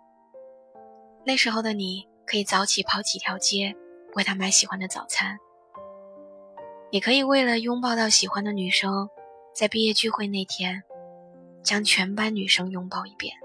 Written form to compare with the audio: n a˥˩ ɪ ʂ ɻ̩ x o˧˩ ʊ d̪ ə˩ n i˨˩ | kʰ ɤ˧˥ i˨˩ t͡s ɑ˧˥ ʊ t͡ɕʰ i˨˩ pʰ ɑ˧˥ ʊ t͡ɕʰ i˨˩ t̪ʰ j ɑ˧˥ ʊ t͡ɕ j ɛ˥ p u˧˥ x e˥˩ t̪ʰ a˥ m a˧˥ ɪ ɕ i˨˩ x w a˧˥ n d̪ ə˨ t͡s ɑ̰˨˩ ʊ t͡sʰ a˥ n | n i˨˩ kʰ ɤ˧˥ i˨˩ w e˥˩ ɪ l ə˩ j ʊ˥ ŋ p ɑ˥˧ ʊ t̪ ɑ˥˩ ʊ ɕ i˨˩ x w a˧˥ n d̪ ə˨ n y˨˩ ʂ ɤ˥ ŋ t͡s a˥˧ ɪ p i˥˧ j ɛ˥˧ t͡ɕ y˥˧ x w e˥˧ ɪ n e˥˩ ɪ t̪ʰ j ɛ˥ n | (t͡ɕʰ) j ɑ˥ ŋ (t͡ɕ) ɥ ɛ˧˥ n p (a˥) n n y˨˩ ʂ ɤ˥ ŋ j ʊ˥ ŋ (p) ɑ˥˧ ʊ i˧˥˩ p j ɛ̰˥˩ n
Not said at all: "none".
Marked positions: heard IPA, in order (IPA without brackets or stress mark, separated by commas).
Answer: t͡ɕ, t͡ɕʰ, a˥, p